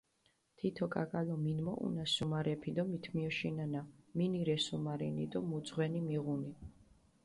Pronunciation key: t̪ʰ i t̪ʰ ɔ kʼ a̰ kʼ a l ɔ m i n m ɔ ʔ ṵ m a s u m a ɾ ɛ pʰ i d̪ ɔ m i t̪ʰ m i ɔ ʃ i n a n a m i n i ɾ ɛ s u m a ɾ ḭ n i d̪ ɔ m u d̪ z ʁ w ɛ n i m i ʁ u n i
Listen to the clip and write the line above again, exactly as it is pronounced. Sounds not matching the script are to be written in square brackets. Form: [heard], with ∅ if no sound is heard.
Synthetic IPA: t̪ʰ i t̪ʰ ɔ kʼ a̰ kʼ a l ɔ m i n m ɔ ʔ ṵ [n] a s u m a ɾ ɛ pʰ i d̪ ɔ m i t̪ʰ m i ɔ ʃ i n a n a m i n i ɾ ɛ s u m a ɾ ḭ n i d̪ ɔ m u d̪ z ʁ w ɛ n i m i ʁ u n i